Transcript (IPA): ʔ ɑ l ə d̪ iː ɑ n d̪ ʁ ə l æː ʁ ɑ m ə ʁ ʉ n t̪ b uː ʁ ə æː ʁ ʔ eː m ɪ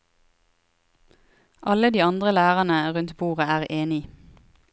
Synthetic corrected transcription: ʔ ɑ l ə d̪ iː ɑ n d̪ ʁ ə l æː ʁ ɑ n ə ʁ ʉ n t̪ b uː ʁ ə æː ʁ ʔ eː n ɪ